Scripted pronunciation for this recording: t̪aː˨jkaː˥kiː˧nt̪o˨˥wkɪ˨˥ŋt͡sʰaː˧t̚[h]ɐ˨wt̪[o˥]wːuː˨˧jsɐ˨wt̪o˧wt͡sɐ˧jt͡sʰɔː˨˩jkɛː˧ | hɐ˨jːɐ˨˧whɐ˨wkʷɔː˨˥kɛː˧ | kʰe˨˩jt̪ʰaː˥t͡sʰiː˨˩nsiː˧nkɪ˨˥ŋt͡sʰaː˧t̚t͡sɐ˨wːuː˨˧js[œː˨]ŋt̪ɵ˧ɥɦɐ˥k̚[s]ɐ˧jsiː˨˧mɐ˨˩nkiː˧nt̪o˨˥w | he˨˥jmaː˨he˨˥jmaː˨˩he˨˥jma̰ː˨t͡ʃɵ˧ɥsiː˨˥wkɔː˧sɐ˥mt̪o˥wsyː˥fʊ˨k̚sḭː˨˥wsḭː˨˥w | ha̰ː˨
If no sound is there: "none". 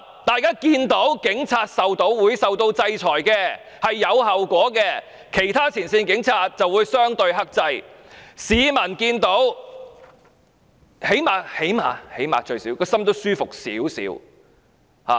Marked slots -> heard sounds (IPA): s, o˨˥, œː˥, t͡s

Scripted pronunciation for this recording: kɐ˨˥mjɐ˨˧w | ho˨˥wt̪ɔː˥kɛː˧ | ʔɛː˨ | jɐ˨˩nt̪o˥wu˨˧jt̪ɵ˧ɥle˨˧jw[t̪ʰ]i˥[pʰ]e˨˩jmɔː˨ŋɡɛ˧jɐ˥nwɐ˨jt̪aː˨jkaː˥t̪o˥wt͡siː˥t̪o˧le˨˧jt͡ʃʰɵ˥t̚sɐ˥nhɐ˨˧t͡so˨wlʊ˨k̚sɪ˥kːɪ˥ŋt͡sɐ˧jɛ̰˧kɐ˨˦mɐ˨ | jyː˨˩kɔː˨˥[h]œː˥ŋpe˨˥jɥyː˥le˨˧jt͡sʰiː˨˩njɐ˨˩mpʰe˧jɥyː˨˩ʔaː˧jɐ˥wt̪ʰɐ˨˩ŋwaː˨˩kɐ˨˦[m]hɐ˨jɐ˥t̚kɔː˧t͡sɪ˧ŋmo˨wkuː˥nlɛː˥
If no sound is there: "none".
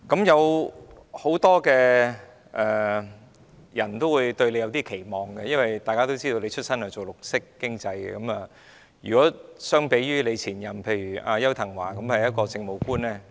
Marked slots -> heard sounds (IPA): t̪, kʰ, s, m

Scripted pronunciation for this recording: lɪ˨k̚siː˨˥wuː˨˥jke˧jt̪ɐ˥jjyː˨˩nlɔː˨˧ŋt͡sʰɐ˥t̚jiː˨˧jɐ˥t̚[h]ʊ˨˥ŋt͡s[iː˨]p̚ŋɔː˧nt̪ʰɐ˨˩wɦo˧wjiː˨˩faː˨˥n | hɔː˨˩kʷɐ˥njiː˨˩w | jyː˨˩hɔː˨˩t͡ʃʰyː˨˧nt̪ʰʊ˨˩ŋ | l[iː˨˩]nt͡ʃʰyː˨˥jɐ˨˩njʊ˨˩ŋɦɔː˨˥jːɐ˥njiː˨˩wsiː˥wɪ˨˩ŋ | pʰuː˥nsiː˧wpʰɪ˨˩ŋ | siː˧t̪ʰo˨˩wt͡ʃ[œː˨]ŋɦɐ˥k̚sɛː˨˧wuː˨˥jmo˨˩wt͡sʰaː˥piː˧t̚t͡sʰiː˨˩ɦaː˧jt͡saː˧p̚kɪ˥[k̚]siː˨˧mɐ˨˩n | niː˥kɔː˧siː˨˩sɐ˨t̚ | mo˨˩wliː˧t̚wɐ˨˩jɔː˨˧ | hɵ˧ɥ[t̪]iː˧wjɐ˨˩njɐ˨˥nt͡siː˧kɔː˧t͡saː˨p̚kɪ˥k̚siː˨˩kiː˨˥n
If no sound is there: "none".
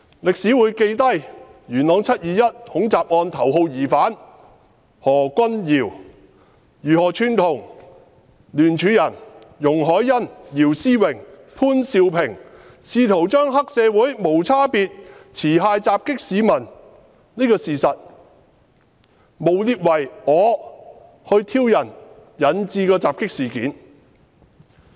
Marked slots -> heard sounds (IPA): h, aː˨, yː˨˩, œː˥, k̚, t̪ʰ

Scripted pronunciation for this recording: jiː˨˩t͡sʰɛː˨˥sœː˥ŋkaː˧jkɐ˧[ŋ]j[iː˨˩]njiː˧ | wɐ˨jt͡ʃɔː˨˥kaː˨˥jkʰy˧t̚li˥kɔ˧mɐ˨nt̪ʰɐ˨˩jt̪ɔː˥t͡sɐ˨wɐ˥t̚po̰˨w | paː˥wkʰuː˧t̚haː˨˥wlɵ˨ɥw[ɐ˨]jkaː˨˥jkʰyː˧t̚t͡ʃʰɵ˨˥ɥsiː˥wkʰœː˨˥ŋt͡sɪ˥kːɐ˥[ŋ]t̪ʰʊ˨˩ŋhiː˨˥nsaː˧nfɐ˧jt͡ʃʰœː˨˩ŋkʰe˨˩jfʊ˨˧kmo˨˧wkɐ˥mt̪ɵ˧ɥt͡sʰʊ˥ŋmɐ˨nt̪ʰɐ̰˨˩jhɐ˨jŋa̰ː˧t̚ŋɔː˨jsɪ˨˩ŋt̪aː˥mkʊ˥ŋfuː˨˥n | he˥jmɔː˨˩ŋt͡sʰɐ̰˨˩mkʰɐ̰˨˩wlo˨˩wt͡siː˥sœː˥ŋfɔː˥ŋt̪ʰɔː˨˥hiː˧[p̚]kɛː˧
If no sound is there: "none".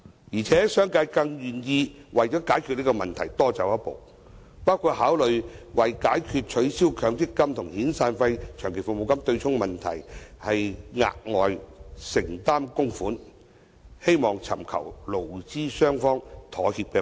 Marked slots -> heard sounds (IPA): ŋ, yː˨˩, ɐ˨, m, p̚

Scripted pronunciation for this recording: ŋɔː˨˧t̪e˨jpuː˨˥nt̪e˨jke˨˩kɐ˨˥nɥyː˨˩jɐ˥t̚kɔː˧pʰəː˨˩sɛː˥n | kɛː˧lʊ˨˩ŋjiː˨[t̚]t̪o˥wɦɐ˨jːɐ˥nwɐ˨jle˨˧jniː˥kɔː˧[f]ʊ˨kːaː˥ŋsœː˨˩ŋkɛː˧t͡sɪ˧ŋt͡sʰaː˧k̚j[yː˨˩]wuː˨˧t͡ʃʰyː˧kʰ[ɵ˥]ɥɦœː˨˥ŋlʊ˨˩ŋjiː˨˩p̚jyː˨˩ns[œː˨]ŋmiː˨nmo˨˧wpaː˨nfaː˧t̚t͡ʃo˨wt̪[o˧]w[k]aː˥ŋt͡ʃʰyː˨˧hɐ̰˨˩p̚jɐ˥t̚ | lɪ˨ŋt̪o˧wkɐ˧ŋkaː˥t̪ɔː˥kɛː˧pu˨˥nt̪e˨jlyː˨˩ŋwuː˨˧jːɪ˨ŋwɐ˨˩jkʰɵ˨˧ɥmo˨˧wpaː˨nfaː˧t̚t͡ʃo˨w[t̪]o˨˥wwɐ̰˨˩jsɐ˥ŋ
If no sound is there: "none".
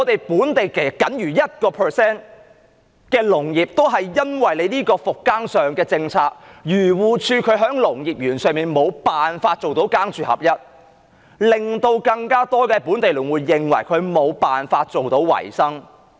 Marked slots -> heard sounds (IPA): p̚, f, yː˨˩, ɵ˨˧˥, œː˨, o˨˥, k, t̪

